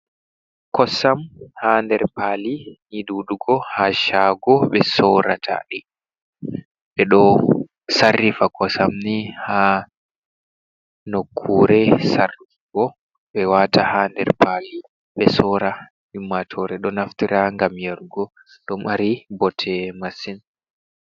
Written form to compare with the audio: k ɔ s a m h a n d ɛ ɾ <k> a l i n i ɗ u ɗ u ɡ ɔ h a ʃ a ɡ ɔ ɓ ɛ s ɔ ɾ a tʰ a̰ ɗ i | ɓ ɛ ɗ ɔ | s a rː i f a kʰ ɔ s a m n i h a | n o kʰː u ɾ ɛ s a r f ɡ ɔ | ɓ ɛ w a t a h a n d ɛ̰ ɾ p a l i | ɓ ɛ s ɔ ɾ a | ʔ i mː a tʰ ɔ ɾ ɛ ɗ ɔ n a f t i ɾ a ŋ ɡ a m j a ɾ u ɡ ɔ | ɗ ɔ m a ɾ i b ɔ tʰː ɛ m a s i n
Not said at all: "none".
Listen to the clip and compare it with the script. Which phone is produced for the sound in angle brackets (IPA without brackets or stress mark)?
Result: p